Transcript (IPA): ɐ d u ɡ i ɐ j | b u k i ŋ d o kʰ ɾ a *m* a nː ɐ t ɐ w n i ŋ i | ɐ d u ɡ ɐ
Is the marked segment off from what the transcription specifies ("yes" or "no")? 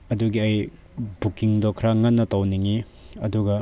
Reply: yes